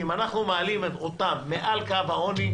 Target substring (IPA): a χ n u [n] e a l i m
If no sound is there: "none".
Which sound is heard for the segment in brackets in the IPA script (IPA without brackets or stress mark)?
m